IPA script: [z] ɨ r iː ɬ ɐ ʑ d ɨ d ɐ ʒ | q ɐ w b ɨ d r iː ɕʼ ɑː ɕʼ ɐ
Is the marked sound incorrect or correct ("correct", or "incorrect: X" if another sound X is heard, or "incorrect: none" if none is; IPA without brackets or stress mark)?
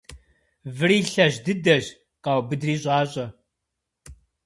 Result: incorrect: v